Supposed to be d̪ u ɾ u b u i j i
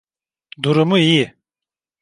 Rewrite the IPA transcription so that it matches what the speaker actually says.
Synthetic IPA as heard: d̪ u ɾ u m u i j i